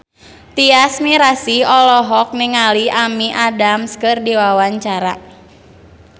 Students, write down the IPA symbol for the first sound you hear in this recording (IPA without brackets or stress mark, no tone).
t̪